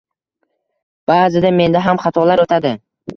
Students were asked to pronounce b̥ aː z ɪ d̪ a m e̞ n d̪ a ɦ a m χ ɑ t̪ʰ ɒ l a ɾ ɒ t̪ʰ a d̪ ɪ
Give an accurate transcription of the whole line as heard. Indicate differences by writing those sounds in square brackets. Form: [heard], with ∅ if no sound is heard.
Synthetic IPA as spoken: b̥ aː z ɪ d̪ a m e̞ n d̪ a ɦ a m χ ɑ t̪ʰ ɒ l a ɾ [o] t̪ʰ a d̪ ɪ